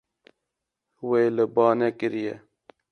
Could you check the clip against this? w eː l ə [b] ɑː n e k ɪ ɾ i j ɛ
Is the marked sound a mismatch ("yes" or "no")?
no